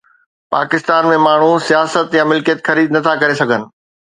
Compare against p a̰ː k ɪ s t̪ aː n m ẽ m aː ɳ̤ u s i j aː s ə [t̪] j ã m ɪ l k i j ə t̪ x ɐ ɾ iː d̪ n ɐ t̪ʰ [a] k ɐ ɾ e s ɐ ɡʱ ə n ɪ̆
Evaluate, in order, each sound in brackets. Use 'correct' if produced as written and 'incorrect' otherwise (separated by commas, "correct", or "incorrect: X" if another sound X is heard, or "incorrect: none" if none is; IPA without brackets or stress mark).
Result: correct, correct